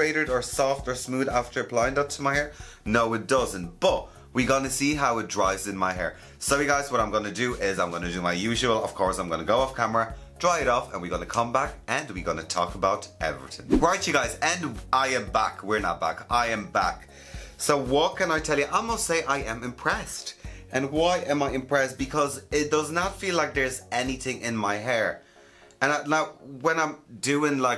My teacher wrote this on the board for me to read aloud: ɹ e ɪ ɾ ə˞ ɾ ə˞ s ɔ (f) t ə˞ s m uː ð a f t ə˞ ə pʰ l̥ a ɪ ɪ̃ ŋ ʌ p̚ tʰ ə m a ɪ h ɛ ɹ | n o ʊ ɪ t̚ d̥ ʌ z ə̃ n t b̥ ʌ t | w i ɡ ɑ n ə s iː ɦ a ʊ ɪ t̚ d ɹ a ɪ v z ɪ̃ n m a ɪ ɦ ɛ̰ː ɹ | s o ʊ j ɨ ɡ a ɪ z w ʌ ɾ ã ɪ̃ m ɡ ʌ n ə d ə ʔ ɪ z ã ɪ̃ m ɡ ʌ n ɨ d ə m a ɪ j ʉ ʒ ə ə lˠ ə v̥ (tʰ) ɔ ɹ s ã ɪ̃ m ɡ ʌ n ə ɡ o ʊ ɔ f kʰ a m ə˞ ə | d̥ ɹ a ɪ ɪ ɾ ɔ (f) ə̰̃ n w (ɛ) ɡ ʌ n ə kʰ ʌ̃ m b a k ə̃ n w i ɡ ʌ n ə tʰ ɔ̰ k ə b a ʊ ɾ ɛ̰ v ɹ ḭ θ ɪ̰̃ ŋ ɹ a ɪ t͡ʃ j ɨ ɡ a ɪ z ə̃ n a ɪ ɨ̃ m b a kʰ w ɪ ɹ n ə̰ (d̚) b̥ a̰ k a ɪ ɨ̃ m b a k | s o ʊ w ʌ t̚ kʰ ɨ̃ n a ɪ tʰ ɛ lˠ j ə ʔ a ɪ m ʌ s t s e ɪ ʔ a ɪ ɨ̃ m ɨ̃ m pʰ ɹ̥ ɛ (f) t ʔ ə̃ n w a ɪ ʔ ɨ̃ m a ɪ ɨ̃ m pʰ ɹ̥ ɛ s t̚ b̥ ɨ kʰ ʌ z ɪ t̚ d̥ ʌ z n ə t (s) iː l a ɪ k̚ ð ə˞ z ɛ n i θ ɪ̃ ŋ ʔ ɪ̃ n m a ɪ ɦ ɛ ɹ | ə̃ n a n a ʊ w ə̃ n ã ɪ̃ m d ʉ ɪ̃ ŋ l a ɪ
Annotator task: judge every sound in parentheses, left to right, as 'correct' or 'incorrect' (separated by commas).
correct, incorrect, correct, incorrect, incorrect, incorrect, incorrect